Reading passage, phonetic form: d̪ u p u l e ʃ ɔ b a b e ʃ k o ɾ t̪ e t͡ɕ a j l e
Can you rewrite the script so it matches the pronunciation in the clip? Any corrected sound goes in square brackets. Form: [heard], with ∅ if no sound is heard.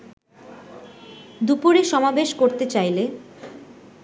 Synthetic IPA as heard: d̪ u p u [ɾ] e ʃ ɔ [m] a b e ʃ k o ɾ t̪ e t͡ɕ a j l e